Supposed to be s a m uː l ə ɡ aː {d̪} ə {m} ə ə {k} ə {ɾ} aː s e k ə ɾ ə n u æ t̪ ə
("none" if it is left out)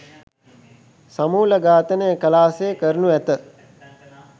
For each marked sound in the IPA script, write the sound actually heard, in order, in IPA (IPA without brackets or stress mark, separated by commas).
t̪, n, k, l